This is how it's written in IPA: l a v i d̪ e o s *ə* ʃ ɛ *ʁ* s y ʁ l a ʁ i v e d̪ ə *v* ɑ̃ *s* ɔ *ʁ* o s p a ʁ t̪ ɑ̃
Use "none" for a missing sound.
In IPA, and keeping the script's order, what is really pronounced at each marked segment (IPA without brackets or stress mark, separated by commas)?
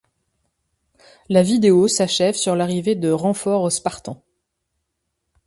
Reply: a, v, ʁ, f, ʁ